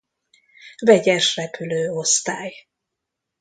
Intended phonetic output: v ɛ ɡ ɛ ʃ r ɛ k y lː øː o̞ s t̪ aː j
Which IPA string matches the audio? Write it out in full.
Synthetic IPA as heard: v ɛ ɟ ɛ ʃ r ɛ p y l øː o̞ s t̪ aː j

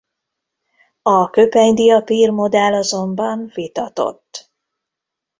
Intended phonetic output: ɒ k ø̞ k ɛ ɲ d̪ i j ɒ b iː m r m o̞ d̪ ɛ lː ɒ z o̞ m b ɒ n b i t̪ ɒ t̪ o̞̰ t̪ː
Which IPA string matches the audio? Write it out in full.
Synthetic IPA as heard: ɒ k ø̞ p ɛ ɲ d̪ i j ɒ p iː r m o̞ d̪ ɛ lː ɒ z o̞ m b ɒ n v i t̪ ɒ t̪ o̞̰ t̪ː

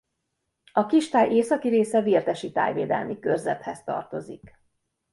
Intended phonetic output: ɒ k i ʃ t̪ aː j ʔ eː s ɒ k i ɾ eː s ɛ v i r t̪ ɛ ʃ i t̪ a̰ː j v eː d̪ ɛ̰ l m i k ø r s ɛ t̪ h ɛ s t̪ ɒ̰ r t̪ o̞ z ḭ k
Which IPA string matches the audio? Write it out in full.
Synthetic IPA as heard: ɒ k i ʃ t̪ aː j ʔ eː s ɒ k i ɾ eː s ɛ v i r t̪ ɛ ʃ i t̪ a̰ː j v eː d̪ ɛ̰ l m i k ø r z ɛ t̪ h ɛ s t̪ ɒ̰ r t̪ o̞ z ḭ k

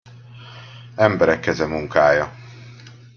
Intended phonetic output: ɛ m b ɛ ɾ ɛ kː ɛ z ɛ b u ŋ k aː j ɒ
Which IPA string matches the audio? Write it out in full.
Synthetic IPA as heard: ɛ m b ɛ ɾ ɛ kː ɛ z ɛ m u ŋ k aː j ɒ

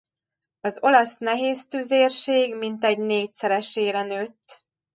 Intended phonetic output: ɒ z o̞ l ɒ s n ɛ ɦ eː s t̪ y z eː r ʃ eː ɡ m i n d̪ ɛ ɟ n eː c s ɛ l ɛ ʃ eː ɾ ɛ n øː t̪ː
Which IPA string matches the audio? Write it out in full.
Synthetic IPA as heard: ɒ z o̞ l ɒ s n ɛ ɦ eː s t̪ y z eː r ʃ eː ɡ m i n t̪ ɛ ɟ n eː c s ɛ ɾ ɛ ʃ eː ɾ ɛ n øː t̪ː

